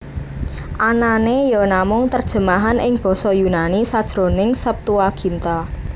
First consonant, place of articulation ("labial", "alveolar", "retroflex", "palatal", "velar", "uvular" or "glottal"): glottal